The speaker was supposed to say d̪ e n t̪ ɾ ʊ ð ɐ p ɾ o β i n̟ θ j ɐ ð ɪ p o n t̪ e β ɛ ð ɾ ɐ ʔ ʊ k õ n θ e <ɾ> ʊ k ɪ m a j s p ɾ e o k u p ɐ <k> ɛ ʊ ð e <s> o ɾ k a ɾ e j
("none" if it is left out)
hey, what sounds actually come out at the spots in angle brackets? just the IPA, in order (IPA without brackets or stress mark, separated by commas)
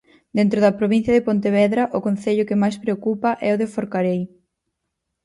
ʎ, ʔ, f